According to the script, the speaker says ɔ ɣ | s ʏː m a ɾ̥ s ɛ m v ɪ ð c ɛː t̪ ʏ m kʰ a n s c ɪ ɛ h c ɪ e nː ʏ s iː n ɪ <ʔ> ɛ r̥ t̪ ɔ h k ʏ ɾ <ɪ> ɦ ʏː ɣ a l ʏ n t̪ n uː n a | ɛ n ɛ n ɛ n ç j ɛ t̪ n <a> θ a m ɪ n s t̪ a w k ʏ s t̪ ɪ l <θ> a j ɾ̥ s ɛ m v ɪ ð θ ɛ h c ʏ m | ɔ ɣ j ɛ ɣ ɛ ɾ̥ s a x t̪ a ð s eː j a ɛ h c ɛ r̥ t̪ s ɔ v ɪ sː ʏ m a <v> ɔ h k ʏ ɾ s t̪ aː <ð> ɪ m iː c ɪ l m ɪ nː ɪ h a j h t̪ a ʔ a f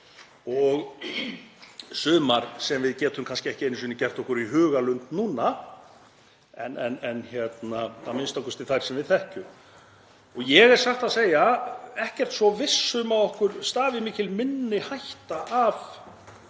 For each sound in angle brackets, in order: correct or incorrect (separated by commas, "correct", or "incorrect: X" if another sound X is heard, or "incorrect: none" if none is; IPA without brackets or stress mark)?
incorrect: c, incorrect: i, correct, correct, incorrect: ð, incorrect: v